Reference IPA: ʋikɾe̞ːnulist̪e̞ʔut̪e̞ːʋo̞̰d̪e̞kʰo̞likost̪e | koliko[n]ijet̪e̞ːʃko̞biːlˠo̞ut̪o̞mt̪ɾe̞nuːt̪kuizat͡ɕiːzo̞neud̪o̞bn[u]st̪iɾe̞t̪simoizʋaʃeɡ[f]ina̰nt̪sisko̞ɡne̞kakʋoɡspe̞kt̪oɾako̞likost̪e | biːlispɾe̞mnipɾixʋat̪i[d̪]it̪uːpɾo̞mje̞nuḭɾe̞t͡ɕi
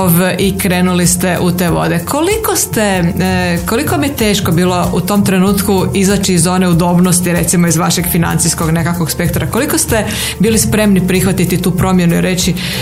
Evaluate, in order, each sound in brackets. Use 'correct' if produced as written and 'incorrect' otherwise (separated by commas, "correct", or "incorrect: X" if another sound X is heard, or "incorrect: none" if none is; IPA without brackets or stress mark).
incorrect: m, incorrect: o, correct, incorrect: t̪